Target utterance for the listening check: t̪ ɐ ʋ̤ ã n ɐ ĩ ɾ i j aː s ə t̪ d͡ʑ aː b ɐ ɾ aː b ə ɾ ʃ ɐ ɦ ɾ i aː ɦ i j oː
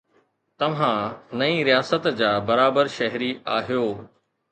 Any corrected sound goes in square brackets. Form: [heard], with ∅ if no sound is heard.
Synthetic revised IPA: t̪ ɐ ʋ̤ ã n ɐ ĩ ɾ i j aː s ə t̪ d͡ʑ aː b ɐ ɾ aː b ə ɾ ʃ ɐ ɦ ɾ i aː ɦ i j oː